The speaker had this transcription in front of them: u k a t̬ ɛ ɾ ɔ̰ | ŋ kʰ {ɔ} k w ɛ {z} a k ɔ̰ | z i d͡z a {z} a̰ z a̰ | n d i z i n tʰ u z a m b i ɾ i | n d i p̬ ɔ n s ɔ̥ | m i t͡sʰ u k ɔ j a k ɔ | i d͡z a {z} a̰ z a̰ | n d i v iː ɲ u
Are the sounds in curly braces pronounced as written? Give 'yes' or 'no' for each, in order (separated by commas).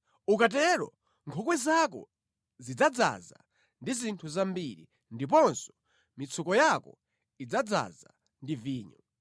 yes, yes, no, no